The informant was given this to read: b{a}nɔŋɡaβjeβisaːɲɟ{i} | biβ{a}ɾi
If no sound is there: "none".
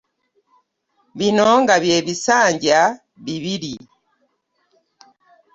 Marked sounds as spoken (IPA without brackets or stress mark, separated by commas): i, a, i